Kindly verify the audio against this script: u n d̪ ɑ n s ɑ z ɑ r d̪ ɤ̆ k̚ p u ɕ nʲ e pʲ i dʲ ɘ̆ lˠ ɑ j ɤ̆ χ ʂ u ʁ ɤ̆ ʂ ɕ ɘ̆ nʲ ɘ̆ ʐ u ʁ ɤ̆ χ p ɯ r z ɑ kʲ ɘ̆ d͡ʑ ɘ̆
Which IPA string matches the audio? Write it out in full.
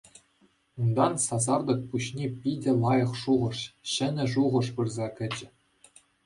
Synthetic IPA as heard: u n d̪ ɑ n s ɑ z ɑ r d̪ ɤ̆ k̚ p u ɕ nʲ e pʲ i dʲ ɘ̆ lˠ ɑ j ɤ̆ χ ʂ u ʁ ɤ̆ ʂ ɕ ɘ̆ nʲ ɘ̆ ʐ u ʁ ɤ̆ ʂ p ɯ r z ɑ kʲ ɘ̆ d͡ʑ ɘ̆